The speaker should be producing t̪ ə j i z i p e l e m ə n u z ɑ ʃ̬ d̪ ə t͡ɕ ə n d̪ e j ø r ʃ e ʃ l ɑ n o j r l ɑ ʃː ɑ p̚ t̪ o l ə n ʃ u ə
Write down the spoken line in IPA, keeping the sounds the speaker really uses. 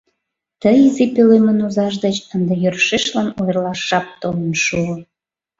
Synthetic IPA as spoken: t̪ ə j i z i p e l e m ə n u z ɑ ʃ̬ d̪ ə t͡ɕ ə n d̪ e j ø r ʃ e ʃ l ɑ n o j r l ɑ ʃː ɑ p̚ t̪ o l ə n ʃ u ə